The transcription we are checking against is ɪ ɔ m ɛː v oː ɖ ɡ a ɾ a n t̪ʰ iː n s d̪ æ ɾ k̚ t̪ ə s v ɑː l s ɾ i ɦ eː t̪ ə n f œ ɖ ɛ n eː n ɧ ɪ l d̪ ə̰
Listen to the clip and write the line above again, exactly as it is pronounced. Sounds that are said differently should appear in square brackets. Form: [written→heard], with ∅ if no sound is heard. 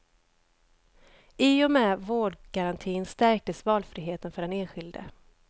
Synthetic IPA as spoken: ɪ ɔ m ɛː v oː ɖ ɡ a ɾ a n t̪ʰ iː n s [d̪→t̪] æ ɾ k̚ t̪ ə s v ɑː l [s→f] ɾ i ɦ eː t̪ ə n f œ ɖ ɛ n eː n ɧ ɪ l d̪ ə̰